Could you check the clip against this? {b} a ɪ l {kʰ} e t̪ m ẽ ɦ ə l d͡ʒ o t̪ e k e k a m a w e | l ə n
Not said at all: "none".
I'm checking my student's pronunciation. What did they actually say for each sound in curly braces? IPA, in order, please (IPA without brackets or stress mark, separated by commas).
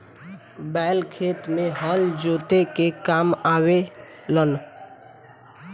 b, kʰ